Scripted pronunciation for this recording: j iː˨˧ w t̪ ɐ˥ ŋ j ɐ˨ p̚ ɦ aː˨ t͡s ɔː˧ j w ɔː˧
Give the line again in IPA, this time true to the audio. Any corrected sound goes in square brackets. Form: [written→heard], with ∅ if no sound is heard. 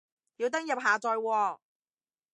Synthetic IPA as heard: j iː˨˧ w t̪ ɐ˥ ŋ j ɐ˨ p̚ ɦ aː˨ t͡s ɔː˧ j w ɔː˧